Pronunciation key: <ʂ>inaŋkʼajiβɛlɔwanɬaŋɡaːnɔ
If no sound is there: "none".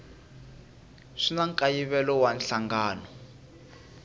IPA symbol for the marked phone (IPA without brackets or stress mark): ʂ